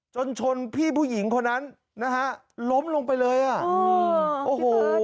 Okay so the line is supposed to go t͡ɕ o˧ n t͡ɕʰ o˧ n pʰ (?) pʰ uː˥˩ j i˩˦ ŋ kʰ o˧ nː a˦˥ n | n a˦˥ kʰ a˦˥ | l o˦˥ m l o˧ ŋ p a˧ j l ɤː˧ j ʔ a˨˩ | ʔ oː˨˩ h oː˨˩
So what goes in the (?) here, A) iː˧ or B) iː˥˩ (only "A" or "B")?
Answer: B